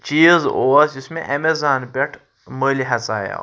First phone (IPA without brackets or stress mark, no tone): t͡ʃ